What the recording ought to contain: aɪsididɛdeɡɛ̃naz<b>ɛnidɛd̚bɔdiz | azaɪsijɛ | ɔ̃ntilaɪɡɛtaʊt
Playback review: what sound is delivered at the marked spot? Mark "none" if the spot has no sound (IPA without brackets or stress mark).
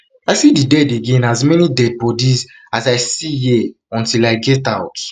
m